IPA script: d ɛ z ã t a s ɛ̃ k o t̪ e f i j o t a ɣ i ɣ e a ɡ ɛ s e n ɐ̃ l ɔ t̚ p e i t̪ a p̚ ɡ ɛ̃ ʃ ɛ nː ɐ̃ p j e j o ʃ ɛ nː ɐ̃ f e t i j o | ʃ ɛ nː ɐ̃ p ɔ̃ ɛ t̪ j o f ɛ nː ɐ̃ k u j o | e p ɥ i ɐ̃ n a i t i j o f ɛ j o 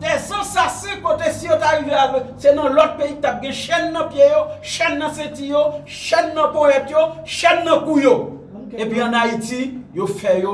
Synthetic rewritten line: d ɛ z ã s a s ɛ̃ k o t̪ e s i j o t a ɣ i v e a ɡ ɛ s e n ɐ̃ l ɔ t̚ p e i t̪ a p̚ ɡ ɛ̃ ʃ ɛ nː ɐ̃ p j e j o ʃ ɛ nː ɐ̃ s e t i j o | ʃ ɛ nː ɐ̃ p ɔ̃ ɛ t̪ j o ʃ ɛ nː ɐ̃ k u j o | e p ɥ i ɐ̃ n a i t i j o f ɛ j o